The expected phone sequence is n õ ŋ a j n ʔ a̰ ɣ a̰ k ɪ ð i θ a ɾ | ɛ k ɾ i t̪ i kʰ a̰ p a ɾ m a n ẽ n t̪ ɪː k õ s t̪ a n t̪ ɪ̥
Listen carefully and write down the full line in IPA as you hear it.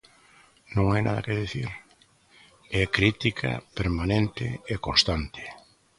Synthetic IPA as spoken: n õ ŋ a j n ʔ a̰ ð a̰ k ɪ ð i θ i ɾ | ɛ k ɾ i t̪ i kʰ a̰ p e ɾ m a n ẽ n t̪ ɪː k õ s t̪ a n t̪ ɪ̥